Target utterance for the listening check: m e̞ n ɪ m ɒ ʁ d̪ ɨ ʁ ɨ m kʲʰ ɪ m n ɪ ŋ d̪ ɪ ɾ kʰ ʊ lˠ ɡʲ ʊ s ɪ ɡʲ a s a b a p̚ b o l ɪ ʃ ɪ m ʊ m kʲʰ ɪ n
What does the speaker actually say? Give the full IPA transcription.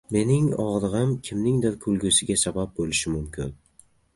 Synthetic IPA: m e̞ n ɪ ŋ ɒ ʁ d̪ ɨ ʁ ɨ m kʲʰ ɪ m n ɪ ŋ d̪ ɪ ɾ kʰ ʊ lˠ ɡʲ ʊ s ɪ ɡʲ a s a b a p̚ b o l ɪ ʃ ɪ m ʊ m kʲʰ ɪ n